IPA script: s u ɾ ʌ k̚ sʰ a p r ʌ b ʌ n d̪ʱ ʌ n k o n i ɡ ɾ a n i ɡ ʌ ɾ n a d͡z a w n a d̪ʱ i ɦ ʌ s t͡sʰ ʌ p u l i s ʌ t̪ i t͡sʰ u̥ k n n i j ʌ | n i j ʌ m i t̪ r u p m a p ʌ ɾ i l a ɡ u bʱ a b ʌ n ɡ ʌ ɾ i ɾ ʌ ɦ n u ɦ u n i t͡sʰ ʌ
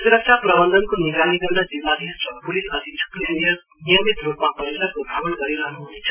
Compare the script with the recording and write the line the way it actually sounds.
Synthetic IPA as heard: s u ɾ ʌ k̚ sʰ a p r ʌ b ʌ n d̪ʱ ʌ n k o n i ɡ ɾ a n i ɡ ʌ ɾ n a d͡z i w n a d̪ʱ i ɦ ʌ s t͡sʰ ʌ p u l i s ʌ t̪ i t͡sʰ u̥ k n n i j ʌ | n i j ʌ m i t̪ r u p m a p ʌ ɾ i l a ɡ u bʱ a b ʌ n ɡ ʌ ɾ i ɾ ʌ ɦ n u ɦ u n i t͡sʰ ʌ